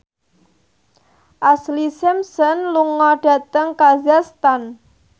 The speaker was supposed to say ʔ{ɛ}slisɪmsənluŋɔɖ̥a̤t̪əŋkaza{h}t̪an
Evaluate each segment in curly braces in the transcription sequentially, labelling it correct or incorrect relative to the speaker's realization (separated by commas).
incorrect, incorrect